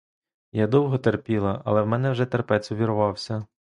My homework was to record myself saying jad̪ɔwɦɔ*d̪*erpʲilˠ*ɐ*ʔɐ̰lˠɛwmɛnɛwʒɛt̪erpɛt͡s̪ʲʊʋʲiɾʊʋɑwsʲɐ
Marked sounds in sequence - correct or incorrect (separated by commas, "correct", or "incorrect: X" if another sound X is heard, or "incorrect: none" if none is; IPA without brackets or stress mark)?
incorrect: t̪, correct